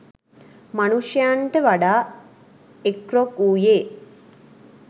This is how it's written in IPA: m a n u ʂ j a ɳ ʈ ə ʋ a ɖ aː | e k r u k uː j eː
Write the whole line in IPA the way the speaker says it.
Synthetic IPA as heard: m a n u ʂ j a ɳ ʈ ə ʋ a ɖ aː | e k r o k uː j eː